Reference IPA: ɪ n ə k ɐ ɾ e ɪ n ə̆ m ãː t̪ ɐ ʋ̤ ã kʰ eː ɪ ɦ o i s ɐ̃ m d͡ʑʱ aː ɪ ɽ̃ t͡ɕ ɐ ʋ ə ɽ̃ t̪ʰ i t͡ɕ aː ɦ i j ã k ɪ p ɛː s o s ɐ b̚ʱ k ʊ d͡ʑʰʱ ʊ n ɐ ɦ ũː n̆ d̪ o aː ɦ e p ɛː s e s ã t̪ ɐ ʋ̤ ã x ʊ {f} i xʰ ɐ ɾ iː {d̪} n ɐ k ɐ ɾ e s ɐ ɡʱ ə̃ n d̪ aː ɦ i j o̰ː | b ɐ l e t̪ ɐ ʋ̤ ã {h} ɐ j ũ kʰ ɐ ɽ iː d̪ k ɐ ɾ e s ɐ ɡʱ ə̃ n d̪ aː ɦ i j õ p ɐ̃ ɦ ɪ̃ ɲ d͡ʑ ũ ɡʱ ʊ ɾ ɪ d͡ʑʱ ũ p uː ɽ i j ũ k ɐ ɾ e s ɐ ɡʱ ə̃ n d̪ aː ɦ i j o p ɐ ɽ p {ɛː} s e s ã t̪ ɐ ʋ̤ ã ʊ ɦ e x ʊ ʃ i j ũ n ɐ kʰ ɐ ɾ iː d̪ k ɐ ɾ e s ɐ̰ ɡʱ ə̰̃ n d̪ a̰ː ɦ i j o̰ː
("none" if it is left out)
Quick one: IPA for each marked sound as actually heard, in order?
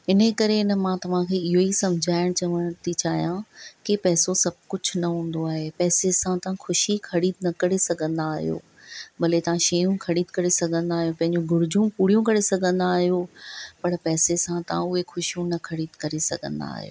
ʃ, d̪, ʃ, ɛː

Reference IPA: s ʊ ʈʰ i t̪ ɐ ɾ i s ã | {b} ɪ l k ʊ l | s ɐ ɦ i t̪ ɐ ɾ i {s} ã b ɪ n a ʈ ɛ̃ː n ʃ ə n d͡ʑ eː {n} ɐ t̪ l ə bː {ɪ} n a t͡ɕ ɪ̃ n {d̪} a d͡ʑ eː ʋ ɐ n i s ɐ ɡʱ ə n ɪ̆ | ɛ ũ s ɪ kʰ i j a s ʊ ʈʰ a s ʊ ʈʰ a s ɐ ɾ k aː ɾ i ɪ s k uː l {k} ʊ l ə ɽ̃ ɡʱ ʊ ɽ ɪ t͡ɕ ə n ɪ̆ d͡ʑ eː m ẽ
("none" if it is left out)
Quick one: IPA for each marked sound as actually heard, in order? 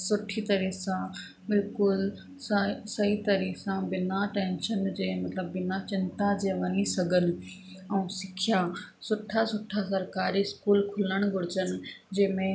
b, s, m, ɪ, t̪, kʰ

